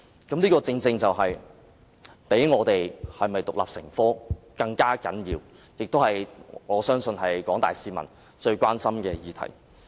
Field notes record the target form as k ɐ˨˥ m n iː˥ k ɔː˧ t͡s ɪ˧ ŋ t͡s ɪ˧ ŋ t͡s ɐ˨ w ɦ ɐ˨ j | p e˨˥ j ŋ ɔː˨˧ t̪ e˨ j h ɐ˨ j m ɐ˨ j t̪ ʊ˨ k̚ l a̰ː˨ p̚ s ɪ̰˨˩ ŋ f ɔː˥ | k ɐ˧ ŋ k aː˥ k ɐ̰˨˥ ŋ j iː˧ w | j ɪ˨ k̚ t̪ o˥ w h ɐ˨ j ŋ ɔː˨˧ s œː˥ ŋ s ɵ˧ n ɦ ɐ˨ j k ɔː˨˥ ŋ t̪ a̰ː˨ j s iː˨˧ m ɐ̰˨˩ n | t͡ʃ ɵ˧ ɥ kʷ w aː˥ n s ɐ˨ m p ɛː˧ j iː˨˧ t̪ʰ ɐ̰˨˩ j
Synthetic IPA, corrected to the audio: k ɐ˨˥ m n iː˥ k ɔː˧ t͡s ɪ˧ ŋ t͡s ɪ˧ ŋ t͡s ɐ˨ w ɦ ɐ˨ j | p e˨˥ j ŋ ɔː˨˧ t̪ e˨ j h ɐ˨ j m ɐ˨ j t̪ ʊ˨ k̚ l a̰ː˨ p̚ s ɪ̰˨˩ ŋ f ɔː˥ | k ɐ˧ ŋ k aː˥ k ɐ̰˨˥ n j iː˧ w | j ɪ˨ k̚ t̪ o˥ w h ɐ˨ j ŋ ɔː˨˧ s œː˥ ŋ s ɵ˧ n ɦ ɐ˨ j k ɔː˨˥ ŋ t̪ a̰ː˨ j s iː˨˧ m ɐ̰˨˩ n | t͡ʃ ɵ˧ ɥ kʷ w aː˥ n s ɐ˥ m k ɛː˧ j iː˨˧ t̪ʰ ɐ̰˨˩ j